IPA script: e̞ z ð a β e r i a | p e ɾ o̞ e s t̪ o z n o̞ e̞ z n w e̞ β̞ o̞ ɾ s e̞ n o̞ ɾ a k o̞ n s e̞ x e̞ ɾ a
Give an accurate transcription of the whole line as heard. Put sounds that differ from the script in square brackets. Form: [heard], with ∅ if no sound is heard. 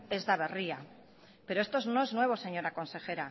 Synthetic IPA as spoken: e̞ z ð a β e r i a | p e ɾ o̞ e s t̪ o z n o̞ e̞ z n w e̞ β̞ o̞ [∅] s e̞ [ɲ] o̞ ɾ a k o̞ n s e̞ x e̞ ɾ a